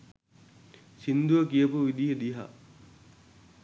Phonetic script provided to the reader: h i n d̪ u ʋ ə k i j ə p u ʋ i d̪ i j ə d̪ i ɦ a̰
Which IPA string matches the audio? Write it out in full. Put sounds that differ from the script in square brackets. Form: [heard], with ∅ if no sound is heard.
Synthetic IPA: [s] i n d̪ u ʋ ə k i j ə p u ʋ i d̪ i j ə d̪ i ɦ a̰